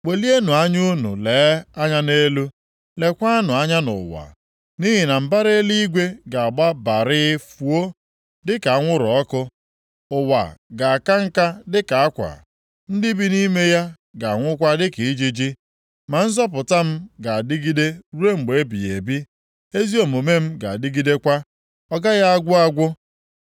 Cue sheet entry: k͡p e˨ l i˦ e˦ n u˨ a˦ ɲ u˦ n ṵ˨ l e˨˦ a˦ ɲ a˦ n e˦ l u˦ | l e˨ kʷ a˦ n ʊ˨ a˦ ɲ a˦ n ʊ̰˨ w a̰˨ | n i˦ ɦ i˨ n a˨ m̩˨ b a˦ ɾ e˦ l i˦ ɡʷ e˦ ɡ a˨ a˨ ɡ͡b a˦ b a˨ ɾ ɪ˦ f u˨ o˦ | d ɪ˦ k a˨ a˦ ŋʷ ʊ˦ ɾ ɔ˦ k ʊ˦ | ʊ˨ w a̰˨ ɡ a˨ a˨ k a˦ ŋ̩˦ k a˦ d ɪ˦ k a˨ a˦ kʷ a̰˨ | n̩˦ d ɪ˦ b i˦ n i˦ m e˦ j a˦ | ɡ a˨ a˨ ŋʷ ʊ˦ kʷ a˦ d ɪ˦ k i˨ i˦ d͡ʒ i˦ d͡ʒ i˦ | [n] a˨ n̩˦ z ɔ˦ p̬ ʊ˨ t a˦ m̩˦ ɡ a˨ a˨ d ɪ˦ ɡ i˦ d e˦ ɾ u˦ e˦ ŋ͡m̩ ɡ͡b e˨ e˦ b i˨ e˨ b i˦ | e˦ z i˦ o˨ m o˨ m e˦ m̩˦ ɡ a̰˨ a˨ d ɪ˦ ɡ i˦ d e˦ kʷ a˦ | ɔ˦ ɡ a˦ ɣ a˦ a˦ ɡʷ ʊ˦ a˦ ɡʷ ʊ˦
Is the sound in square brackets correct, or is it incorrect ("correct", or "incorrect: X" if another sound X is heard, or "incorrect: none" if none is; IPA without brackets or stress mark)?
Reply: incorrect: m